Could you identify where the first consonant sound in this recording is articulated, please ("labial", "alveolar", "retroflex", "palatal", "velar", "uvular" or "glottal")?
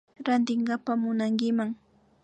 alveolar